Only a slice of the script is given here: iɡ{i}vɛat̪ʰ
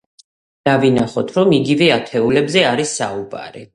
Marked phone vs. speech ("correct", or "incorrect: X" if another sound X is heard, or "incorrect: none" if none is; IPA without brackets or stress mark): correct